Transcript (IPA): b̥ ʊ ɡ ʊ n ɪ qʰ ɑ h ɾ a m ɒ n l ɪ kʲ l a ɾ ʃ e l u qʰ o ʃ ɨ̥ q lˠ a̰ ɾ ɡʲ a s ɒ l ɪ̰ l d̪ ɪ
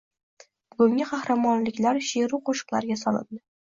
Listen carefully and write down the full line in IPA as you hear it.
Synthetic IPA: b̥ ʊ ɡ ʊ ŋ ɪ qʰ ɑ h ɾ a m ɒ n l ɪ kʲ l a ɾ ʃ e ɾ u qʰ o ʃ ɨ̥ q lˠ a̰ ɾ ɡʲ a s ɒ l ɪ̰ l d̪ ɪ